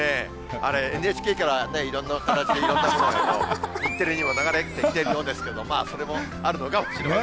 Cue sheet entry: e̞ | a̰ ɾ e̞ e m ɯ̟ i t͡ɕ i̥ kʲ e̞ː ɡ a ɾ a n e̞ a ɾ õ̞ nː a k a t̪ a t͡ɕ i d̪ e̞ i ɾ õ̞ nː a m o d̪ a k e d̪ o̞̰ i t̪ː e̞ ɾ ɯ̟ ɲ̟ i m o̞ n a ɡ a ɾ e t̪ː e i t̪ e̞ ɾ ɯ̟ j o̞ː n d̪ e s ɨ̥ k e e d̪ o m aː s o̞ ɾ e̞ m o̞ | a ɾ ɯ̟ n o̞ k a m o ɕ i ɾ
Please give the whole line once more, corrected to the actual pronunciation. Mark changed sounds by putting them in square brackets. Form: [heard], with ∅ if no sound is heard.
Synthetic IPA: e̞ | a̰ ɾ e̞ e [n] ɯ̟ [e] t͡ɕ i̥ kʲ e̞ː [k] a ɾ a n e̞ [i] ɾ õ̞ nː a k a t̪ a t͡ɕ i d̪ e̞ i ɾ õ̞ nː a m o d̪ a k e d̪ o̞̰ i t̪ː e̞ ɾ ɯ̟ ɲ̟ i m o̞ n a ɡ a ɾ e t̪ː e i t̪ e̞ ɾ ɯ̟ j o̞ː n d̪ e s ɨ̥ k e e d̪ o m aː s o̞ ɾ e̞ m o̞ | a ɾ ɯ̟ n o̞ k a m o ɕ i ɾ